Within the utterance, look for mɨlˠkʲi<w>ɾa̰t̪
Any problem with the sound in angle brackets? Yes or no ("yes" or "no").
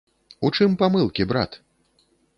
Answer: yes